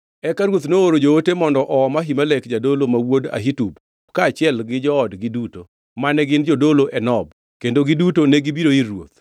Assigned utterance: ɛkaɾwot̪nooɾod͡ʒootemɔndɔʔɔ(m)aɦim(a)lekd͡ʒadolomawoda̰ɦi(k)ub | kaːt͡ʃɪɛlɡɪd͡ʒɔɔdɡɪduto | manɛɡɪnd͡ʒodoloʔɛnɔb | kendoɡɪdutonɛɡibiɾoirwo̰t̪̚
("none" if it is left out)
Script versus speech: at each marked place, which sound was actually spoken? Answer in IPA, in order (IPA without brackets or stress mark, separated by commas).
m, a, t